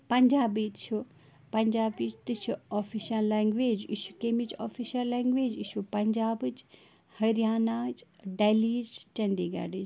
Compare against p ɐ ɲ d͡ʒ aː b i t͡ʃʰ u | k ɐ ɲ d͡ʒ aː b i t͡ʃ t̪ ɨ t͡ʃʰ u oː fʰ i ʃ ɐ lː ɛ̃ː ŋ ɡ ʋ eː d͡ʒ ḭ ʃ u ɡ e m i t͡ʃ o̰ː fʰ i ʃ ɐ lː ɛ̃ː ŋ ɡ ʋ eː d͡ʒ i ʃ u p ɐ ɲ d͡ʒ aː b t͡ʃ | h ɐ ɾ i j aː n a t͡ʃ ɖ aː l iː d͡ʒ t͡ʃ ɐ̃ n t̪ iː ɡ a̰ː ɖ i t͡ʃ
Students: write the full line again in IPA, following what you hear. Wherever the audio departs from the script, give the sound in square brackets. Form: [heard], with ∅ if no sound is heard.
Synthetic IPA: p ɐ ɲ d͡ʒ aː b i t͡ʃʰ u | [p] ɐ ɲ d͡ʒ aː b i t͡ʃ t̪ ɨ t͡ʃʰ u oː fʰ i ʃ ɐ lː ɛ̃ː ŋ ɡ ʋ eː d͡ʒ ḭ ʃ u [k] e m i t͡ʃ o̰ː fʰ i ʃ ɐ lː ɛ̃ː ŋ ɡ ʋ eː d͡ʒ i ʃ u p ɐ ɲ d͡ʒ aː b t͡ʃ | h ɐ ɾ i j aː n a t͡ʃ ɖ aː l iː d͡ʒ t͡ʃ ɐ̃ n [d̪] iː ɡ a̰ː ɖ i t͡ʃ